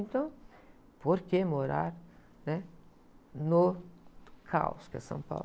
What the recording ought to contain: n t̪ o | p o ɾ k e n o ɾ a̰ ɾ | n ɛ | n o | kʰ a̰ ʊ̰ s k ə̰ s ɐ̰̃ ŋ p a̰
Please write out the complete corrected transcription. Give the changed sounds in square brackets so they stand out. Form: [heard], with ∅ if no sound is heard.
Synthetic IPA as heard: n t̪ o | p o ɾ k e [m] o ɾ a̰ ɾ | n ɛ | n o | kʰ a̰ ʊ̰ s k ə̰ s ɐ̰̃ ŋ p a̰